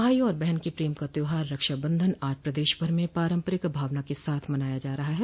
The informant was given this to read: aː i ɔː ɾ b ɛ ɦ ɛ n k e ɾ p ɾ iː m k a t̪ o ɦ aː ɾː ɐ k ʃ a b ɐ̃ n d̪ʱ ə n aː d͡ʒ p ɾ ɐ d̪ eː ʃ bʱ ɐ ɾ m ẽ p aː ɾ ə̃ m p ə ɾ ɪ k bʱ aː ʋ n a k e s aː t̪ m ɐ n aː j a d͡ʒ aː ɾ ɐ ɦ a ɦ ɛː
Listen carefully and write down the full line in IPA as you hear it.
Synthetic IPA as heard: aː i ɔː ɾ b ɛ ɦ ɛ n k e p ɾ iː m k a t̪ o ɦ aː ɾː ɐ k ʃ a b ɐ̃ n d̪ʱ ə n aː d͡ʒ p ɾ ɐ d̪ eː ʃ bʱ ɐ ɾ m ẽ p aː ɾ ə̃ m p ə ɾ ɪ k bʱ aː ʋ n a k e s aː t̪ʰ m ɐ n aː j a d͡ʒ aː ɾ ɐ ɦ a ɦ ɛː